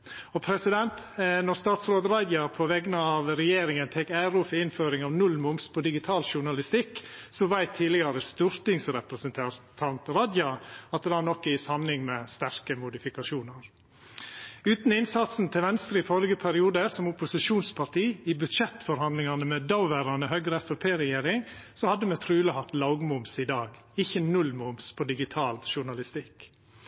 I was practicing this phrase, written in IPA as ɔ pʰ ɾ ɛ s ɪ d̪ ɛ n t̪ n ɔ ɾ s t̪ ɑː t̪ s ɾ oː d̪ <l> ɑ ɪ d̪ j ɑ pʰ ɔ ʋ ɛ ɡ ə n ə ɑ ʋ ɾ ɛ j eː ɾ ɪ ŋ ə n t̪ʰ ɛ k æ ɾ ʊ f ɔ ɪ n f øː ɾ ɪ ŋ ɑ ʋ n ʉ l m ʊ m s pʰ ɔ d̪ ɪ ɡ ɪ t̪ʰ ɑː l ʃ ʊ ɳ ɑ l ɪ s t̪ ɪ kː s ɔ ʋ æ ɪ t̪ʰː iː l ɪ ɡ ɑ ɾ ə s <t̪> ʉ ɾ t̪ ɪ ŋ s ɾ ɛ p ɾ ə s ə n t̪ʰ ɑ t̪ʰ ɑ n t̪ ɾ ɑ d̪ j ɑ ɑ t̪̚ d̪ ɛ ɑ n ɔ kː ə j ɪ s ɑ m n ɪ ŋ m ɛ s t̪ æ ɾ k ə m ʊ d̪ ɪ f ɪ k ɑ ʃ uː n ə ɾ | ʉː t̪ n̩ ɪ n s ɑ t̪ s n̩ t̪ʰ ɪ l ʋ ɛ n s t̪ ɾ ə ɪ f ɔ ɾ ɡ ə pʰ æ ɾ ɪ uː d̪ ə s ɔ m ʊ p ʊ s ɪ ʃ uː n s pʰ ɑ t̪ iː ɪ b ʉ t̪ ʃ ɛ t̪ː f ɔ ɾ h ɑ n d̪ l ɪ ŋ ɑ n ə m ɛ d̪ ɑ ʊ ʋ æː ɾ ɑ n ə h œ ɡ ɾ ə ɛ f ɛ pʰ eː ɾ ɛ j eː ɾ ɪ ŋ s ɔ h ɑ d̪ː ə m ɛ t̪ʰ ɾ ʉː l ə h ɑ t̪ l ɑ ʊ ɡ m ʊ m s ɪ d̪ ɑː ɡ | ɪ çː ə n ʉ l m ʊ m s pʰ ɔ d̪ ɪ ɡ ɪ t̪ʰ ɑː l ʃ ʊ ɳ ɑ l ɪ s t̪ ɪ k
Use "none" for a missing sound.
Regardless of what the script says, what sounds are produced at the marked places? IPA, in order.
ɾ, t̪

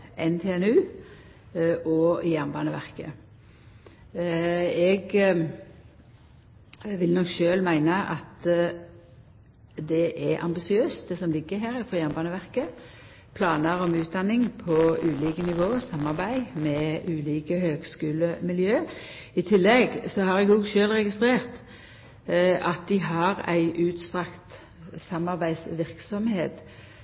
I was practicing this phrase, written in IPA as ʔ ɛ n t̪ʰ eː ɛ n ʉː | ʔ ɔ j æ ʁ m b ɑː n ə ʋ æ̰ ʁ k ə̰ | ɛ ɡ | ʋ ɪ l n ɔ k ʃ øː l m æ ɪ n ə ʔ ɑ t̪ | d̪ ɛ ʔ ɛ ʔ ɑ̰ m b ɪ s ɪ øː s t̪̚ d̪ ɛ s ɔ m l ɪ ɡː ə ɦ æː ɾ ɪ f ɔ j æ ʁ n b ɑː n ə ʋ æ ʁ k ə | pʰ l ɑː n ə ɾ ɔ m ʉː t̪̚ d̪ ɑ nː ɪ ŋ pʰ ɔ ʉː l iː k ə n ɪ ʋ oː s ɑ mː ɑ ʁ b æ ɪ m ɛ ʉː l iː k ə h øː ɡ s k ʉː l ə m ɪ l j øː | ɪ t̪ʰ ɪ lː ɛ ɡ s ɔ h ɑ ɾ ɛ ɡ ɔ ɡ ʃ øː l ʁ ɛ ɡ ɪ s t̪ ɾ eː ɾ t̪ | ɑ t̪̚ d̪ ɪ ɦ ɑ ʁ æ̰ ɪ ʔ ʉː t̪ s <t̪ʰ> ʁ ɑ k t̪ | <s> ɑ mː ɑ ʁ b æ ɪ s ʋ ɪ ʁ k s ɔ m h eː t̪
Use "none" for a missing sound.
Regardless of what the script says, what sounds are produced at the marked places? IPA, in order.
t̪, s

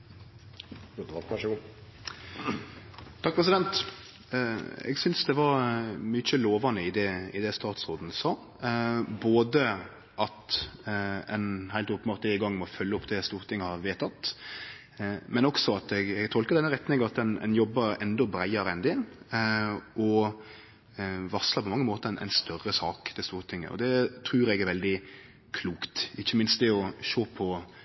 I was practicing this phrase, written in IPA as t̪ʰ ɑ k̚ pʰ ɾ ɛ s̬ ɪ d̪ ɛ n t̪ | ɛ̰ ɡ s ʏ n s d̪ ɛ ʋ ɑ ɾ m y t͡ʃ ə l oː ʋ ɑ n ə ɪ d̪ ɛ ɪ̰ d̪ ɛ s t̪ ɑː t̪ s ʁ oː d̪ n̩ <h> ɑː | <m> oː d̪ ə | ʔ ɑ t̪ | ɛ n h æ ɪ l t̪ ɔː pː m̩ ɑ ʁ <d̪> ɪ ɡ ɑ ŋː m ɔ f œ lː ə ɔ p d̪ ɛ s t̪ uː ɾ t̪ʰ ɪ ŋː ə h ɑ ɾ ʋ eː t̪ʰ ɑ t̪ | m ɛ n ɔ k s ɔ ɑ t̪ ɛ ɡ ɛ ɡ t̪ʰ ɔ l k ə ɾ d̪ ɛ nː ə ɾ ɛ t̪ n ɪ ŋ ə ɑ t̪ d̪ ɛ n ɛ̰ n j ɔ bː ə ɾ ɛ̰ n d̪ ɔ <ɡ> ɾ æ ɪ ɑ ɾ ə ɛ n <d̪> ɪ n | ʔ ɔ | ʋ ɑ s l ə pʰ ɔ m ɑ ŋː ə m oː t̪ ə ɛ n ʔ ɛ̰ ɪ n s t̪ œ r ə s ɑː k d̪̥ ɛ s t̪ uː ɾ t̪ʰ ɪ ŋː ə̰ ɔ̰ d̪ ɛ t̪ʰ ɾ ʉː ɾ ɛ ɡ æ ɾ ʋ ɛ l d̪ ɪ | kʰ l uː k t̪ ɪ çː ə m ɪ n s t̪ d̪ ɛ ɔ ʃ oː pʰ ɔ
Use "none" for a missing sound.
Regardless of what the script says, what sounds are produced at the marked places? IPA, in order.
s, b, t̪, b, d̪

